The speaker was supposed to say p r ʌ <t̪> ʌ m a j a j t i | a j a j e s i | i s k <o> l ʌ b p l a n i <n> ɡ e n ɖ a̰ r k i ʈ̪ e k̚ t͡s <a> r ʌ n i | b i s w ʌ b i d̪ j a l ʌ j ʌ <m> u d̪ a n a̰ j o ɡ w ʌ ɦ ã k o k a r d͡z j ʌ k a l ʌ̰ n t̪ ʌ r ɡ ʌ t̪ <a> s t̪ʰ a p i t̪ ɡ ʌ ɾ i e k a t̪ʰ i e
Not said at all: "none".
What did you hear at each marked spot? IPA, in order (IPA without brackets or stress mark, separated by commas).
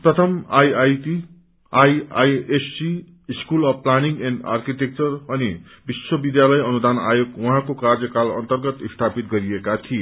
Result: t̪ʰ, u, ŋ, ʌ, n, i